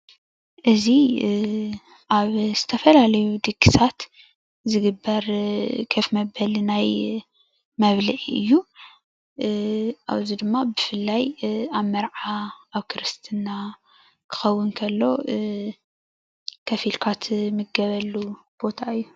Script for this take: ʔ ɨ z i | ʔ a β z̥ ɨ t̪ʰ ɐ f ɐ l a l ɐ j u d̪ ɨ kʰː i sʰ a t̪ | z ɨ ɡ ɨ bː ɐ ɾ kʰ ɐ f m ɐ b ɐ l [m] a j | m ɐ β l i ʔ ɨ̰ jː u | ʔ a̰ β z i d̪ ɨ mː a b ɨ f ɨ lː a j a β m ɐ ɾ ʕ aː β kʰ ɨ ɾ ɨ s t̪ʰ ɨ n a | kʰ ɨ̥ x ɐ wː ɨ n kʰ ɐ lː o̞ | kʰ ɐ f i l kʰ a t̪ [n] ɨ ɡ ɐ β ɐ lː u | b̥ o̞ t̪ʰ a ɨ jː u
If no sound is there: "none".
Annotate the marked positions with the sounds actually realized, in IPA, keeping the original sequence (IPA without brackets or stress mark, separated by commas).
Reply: n, m